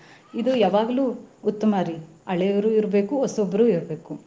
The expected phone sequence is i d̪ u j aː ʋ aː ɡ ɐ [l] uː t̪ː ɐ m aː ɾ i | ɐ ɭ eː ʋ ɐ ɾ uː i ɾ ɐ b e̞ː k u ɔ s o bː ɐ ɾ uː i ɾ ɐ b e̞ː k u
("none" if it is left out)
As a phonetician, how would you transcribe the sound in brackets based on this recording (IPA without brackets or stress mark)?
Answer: l